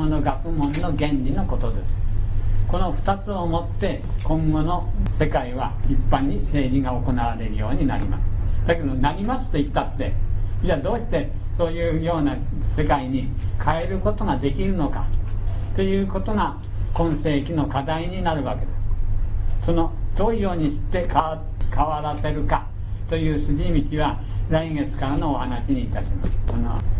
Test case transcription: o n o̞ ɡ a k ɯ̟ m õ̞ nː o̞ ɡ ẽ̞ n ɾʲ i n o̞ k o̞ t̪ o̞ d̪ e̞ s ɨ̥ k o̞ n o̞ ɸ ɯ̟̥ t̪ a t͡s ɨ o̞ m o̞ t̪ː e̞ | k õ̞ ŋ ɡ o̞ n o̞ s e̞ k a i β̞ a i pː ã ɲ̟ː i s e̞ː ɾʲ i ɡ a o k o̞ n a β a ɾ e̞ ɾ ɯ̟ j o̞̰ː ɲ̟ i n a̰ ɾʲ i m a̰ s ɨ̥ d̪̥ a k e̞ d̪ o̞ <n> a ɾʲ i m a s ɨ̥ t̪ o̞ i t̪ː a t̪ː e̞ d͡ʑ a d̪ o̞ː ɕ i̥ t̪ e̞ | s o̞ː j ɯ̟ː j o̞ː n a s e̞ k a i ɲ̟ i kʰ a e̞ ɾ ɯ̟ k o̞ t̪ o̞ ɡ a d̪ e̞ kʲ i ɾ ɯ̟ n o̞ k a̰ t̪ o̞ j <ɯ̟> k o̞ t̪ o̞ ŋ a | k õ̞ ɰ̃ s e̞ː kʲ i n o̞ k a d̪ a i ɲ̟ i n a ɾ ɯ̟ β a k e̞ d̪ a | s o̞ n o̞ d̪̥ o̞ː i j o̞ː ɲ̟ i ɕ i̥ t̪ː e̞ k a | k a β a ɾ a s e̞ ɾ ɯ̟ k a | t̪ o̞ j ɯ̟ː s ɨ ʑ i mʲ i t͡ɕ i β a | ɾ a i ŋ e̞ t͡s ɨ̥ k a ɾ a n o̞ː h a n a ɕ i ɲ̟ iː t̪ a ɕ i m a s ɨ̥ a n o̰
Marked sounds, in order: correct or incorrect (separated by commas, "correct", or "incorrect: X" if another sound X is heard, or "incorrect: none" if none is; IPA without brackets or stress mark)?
correct, incorrect: ɯ̟ː